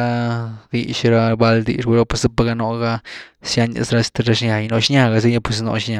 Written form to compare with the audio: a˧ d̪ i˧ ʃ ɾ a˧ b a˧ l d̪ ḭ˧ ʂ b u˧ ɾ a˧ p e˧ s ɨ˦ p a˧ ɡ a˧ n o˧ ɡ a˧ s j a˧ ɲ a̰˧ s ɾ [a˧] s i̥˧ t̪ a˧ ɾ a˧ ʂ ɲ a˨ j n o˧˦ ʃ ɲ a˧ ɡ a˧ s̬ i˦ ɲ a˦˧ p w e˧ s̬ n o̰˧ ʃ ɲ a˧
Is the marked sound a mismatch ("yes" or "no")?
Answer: no